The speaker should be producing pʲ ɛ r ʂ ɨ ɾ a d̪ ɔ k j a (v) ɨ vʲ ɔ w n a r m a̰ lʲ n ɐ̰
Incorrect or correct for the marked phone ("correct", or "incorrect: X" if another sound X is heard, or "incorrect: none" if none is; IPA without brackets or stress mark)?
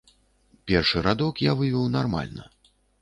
correct